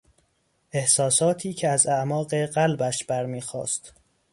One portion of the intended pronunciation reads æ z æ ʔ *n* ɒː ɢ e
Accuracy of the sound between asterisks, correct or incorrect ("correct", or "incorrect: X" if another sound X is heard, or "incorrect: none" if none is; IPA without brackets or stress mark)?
incorrect: m